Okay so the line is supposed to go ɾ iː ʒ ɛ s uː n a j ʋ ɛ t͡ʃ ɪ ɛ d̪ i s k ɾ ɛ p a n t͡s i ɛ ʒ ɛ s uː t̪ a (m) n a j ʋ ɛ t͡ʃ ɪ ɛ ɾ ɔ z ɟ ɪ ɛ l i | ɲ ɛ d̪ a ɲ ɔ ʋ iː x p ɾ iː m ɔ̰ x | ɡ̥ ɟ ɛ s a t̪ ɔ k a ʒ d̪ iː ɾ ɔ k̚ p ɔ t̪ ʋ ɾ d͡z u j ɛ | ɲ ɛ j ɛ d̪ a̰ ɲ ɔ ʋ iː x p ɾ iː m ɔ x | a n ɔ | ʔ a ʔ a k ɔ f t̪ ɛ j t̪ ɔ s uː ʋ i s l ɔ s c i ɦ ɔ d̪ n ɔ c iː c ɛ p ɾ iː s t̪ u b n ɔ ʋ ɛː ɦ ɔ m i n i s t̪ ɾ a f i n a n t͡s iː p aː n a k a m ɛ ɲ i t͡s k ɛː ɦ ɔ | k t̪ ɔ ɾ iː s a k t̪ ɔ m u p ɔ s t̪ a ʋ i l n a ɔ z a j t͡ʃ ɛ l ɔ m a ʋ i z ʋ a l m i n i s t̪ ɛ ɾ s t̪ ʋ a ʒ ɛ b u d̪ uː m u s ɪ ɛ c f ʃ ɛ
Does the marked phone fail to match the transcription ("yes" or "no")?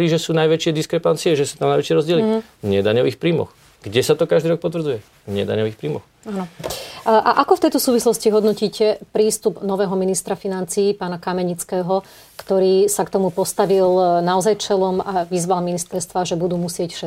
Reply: no